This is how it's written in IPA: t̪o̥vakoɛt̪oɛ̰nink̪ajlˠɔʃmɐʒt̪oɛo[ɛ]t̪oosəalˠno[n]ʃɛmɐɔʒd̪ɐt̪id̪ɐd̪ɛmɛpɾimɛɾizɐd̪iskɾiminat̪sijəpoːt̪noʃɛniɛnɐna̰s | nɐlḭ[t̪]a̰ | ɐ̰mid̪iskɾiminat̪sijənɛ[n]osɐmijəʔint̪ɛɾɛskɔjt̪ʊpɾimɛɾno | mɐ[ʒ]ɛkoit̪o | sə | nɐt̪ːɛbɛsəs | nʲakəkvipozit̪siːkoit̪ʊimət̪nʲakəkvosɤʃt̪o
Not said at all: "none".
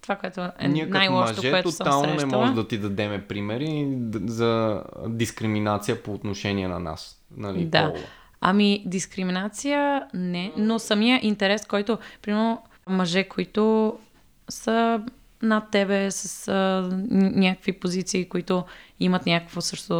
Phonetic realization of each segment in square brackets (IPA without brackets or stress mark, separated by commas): ɛ, n, d̪, n, ʒ